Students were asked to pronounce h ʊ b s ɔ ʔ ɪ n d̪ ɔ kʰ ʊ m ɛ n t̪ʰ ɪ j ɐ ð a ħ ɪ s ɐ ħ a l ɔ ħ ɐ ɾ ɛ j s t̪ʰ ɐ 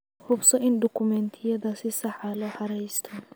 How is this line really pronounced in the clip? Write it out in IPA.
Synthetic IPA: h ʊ b s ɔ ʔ ɪ n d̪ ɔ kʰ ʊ m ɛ n t̪ʰ ɪ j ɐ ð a s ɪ s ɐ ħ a l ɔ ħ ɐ ɾ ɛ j s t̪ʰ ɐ